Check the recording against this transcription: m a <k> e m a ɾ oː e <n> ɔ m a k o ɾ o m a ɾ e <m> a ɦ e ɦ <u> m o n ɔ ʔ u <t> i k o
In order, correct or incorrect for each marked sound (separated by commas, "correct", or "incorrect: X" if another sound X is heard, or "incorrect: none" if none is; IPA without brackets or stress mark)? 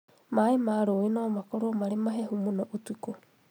incorrect: none, correct, correct, correct, correct